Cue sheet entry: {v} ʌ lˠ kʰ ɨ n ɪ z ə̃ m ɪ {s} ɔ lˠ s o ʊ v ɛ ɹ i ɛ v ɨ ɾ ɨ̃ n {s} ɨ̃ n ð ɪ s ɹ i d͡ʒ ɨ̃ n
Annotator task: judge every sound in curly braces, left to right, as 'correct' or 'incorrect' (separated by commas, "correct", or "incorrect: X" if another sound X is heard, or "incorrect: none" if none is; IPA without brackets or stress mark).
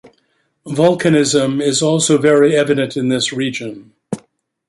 correct, incorrect: z, incorrect: t